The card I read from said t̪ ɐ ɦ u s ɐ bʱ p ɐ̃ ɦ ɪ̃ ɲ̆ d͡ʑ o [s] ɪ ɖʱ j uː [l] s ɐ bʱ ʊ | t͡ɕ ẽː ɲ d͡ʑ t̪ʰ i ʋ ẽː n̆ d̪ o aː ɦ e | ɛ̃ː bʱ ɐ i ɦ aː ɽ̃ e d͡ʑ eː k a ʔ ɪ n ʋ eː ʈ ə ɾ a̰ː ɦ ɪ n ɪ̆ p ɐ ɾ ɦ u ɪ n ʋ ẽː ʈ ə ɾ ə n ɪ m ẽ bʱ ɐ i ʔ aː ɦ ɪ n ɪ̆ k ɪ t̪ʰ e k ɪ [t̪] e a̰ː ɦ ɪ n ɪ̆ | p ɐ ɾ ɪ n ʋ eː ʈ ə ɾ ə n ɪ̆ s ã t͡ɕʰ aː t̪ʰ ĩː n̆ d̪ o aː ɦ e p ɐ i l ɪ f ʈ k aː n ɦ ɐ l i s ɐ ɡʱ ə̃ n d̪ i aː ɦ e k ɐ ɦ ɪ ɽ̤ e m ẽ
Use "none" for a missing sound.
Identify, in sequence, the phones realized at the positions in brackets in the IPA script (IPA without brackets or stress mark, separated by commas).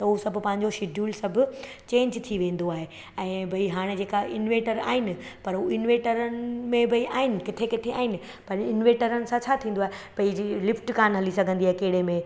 ʃ, l, t̪ʰ